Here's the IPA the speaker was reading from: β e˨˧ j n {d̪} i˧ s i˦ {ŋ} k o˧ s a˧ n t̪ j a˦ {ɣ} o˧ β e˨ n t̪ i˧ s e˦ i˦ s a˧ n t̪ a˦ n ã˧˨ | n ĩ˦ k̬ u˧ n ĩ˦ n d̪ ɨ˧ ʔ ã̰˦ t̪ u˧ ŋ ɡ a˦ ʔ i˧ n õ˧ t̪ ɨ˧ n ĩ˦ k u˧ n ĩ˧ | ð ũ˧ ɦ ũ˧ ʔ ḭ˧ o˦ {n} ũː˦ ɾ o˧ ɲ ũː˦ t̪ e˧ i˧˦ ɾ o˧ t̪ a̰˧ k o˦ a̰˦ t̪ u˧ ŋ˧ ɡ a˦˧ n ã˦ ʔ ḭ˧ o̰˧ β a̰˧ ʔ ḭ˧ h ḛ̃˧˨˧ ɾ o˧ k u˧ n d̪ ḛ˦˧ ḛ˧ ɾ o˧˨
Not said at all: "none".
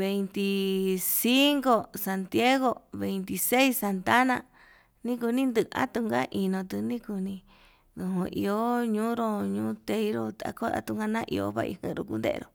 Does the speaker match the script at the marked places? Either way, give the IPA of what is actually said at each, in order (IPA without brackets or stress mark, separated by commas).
t̪, ŋ, ɣ, ɲ